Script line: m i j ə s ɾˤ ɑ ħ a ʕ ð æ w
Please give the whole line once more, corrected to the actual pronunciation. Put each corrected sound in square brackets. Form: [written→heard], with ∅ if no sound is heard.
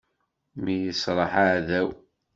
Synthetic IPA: m i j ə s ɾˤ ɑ ħ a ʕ ð æ w